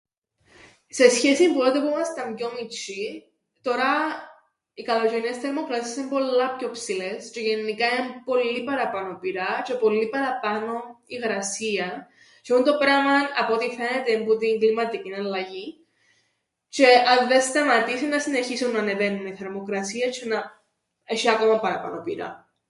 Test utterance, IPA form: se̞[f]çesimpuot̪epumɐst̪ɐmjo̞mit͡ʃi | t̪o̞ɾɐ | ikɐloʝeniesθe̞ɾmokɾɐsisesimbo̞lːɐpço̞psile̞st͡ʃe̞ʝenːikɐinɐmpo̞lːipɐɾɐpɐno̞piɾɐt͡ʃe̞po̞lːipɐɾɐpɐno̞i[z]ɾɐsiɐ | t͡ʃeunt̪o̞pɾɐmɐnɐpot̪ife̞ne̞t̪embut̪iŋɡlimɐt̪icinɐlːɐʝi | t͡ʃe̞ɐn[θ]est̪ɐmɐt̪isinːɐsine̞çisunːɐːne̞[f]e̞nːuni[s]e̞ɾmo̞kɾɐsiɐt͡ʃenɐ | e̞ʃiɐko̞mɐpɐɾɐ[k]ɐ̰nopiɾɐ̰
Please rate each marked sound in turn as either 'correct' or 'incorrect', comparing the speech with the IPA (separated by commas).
incorrect, incorrect, incorrect, incorrect, incorrect, incorrect